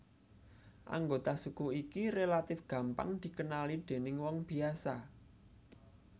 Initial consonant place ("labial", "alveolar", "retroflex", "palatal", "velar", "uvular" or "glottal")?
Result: glottal